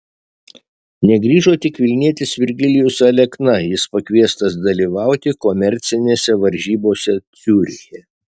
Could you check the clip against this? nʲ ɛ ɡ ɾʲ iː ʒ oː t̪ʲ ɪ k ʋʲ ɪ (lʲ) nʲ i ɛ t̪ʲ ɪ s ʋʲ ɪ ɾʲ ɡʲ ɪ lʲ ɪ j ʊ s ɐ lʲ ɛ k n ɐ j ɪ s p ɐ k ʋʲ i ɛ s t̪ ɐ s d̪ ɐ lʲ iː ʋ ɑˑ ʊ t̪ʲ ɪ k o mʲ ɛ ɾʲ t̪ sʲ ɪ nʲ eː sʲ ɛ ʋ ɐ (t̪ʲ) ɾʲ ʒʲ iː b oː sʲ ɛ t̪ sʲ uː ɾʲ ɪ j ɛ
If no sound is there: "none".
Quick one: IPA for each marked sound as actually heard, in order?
lʲ, none

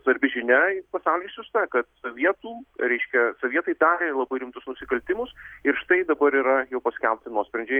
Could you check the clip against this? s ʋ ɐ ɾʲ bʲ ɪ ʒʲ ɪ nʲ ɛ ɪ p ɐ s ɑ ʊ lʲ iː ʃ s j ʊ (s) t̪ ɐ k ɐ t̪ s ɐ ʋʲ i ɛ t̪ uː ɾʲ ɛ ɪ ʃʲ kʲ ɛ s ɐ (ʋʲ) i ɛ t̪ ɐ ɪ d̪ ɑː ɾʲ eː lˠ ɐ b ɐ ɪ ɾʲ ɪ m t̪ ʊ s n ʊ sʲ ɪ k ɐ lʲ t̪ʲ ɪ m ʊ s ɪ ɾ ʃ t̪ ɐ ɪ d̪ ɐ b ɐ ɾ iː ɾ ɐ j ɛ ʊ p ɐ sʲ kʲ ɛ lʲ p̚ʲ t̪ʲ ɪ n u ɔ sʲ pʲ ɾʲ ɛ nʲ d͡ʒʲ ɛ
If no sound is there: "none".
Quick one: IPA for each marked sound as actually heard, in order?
s, ʋʲ

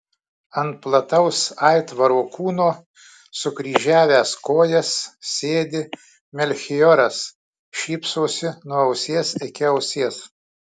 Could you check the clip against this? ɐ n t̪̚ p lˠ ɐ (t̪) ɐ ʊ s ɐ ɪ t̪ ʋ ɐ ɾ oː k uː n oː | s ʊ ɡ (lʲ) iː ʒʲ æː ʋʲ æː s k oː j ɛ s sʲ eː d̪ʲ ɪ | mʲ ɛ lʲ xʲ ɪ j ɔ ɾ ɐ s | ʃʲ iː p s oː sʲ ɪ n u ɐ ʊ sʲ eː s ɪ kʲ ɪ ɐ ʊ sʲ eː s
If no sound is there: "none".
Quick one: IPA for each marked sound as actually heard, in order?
t̪, ɾʲ

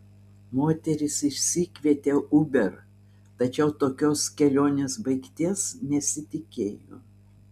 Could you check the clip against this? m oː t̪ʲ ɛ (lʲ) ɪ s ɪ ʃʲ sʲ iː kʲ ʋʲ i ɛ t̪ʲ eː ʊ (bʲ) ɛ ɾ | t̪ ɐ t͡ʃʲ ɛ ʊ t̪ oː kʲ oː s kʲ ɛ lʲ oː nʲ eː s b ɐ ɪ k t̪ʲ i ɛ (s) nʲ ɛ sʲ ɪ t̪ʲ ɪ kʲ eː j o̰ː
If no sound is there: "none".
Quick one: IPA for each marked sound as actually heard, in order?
ɾʲ, bʲ, s

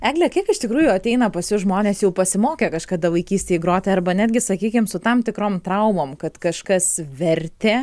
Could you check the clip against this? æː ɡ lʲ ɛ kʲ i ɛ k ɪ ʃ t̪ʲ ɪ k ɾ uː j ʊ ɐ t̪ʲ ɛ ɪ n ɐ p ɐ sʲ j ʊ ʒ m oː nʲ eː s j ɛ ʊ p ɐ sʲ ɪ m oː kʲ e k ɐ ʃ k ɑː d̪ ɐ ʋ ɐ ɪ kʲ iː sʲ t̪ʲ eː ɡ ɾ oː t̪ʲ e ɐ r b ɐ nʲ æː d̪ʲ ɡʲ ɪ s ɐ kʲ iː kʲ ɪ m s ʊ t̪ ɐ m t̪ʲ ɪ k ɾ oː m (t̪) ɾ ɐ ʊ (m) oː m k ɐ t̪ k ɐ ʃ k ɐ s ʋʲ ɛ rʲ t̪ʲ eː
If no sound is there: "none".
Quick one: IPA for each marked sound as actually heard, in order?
t̪, m

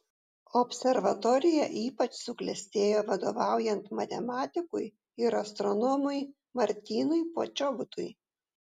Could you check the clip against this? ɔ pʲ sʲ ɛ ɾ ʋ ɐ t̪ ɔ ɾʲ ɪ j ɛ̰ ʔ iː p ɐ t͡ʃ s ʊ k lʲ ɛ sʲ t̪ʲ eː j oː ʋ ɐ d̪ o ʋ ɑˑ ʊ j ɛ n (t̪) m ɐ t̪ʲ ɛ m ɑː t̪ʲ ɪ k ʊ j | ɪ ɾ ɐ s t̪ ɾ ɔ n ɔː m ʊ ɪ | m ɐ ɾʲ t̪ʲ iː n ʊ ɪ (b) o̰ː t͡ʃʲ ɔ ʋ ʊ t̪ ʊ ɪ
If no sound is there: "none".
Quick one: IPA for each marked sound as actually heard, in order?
t̪, p

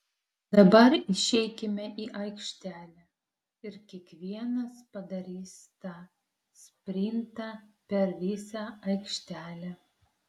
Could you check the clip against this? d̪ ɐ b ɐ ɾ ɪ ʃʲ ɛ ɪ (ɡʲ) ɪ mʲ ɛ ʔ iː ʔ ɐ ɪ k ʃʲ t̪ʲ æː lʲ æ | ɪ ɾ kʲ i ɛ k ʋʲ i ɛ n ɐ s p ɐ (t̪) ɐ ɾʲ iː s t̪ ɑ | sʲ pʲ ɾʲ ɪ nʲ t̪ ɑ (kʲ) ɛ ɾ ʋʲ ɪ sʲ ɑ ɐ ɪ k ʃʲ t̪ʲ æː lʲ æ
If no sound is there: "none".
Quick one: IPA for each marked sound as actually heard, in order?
kʲ, d̪, pʲ

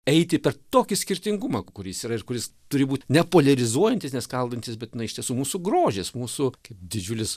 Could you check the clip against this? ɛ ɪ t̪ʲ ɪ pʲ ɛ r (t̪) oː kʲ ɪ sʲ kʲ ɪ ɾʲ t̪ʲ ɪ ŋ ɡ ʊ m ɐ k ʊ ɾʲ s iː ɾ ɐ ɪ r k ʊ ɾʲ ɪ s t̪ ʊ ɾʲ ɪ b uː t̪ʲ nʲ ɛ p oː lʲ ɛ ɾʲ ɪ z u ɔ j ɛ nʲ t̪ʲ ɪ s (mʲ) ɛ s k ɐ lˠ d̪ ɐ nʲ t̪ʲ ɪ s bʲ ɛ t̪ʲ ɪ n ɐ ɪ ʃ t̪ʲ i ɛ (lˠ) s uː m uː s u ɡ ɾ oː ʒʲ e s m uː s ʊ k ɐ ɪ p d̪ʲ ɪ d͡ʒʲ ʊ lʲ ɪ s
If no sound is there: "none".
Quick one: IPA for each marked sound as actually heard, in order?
t̪, nʲ, none

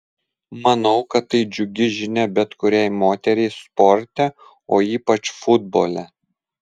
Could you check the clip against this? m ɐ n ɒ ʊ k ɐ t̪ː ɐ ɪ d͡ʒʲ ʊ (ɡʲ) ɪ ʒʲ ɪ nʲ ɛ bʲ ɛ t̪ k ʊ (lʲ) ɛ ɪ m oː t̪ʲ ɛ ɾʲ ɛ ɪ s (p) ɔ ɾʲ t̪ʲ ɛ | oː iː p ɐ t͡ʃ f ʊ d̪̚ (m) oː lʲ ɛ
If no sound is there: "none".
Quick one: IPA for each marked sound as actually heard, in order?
ɡʲ, ɾʲ, p, b

